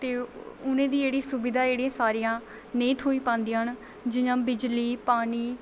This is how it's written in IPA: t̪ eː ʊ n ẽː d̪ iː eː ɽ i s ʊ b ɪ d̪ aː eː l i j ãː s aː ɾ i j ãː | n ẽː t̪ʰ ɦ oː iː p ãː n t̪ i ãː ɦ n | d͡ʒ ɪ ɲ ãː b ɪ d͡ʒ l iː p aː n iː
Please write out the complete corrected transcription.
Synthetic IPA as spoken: t̪ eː ʊ n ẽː d̪ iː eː ɽ iː s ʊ b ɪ d̪ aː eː ɽ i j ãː s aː ɾ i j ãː | n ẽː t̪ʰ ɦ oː iː p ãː n d̪ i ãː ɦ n | d͡ʒ ɪ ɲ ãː b ɪ d͡ʒ l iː p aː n iː